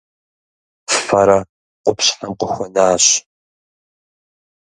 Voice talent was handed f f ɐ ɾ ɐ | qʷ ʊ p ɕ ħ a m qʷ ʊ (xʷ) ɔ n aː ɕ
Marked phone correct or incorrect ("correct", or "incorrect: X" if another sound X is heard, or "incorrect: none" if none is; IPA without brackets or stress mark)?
correct